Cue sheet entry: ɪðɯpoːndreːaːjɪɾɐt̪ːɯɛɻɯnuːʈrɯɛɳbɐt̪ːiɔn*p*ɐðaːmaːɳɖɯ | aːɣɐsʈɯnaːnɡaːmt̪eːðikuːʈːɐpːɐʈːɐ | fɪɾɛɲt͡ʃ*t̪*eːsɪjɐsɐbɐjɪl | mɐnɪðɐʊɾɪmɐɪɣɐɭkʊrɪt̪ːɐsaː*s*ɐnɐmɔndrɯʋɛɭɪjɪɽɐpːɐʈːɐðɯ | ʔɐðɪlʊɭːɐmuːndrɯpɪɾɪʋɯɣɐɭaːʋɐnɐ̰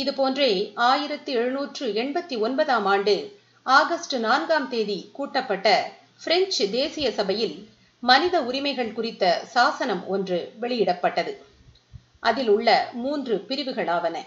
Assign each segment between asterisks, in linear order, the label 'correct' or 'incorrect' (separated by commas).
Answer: incorrect, incorrect, correct